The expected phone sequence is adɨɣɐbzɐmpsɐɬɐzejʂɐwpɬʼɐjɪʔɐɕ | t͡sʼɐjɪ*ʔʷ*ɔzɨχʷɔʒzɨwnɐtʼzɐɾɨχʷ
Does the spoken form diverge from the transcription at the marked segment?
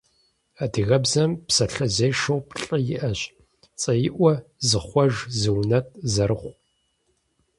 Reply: no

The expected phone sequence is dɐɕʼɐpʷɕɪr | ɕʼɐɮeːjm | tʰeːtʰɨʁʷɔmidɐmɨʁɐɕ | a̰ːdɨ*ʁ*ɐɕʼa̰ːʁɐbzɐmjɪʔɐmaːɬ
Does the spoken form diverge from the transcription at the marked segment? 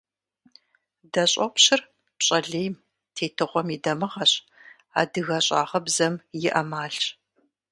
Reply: yes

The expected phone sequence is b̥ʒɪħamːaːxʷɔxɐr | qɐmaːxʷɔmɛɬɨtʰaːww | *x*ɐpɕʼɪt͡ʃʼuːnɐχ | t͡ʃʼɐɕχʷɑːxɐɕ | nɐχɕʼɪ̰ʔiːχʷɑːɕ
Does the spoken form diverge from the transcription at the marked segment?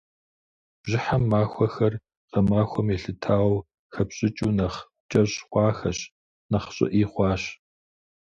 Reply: no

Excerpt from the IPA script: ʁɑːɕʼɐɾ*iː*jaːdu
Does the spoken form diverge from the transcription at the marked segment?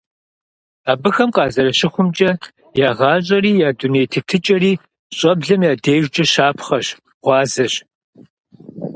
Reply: no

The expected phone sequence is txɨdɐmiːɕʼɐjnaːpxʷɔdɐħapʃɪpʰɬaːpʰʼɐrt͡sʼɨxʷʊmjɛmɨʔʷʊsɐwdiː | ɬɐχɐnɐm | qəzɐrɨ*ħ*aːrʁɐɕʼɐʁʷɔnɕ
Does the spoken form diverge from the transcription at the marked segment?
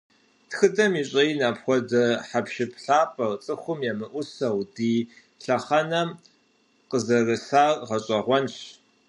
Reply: yes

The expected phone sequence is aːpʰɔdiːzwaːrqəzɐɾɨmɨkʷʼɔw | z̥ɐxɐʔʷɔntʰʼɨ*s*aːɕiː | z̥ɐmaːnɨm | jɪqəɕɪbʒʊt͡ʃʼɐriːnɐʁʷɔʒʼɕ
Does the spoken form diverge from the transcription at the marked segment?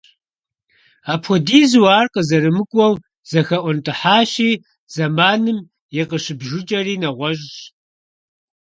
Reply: yes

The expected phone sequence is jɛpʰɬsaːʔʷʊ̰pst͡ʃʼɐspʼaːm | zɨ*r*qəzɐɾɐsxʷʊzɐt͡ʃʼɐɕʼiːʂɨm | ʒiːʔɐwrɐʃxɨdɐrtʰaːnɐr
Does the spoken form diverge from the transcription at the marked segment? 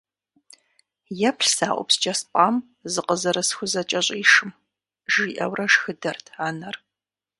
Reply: yes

